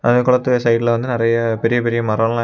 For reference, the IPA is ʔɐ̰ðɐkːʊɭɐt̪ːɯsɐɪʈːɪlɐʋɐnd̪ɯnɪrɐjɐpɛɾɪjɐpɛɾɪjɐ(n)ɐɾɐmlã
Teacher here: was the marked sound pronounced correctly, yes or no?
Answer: no